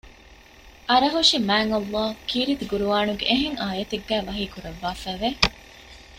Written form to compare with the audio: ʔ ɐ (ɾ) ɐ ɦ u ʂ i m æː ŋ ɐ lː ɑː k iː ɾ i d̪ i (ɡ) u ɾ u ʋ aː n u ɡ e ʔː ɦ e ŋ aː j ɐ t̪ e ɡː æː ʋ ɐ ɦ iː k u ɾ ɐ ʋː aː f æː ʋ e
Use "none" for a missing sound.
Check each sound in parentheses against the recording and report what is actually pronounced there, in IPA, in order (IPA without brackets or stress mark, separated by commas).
ɾ, ɡ